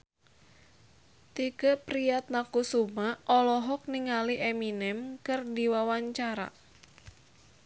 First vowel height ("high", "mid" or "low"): high